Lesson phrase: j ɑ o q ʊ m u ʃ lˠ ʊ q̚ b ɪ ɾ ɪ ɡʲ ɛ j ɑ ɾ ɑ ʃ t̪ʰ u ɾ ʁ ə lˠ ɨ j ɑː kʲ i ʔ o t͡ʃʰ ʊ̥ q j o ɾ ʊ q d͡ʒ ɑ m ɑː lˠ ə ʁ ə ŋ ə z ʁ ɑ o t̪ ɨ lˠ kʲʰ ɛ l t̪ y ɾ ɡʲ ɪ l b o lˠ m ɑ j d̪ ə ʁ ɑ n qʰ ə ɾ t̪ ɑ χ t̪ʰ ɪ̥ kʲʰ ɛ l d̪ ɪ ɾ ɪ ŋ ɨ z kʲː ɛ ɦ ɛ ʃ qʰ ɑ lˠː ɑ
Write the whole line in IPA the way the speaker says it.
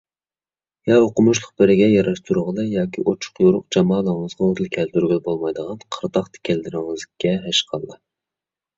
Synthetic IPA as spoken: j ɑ o q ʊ m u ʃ lˠ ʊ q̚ b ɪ ɾ ɪ ɡʲ ɛ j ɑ ɾ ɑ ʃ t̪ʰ u ɾ ʁ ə lˠ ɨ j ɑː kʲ i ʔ o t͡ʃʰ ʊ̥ q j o ɾ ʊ q d͡ʒ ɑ m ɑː lˠ ə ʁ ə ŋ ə z ʁ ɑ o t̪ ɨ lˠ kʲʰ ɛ l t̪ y ɾ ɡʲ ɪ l b o lˠ m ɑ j d̪ ə ʁ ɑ n qʰ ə ɾ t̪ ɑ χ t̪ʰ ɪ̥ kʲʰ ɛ l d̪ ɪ ɾ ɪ ŋ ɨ z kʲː ɛ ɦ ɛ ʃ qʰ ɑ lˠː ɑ